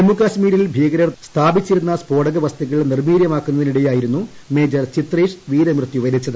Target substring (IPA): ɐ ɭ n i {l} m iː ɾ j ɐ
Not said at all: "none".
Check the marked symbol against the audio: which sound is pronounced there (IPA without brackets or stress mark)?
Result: r